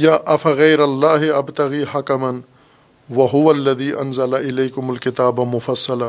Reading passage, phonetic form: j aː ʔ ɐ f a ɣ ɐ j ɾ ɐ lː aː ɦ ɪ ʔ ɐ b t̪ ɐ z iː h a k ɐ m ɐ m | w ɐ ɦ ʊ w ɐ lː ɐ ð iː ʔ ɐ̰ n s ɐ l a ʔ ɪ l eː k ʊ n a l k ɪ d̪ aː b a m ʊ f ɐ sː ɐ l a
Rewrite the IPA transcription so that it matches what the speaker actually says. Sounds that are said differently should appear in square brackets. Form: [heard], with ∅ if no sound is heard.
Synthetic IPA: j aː ʔ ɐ f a ɣ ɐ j ɾ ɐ lː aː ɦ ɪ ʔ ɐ b t̪ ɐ [ɣ] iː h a k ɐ m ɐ [n] | w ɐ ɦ ʊ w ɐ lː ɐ ð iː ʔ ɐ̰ n [z] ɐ l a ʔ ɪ l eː k ʊ [m] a l k ɪ [t̪] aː b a m ʊ f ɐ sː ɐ l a